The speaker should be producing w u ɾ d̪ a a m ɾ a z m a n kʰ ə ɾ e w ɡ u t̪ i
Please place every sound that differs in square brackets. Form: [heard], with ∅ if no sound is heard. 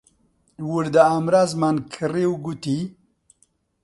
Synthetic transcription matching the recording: w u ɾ d̪ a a m ɾ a z m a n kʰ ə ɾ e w ɡ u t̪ i